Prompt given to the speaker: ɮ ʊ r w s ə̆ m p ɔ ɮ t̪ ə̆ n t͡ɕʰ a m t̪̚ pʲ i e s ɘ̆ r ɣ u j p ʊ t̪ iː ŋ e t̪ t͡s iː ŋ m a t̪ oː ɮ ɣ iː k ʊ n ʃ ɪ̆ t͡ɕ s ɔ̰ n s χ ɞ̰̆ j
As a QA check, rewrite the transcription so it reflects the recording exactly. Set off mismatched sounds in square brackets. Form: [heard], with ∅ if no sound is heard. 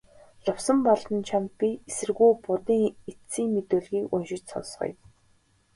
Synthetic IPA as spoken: ɮ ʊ [∅] w s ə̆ m p ɔ ɮ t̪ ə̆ n t͡ɕʰ a m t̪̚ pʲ i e s ɘ̆ r ɣ u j p ʊ t̪ iː ŋ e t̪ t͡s iː ŋ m [e] t̪ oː ɮ ɣ iː k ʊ n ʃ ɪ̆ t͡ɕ s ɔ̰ n s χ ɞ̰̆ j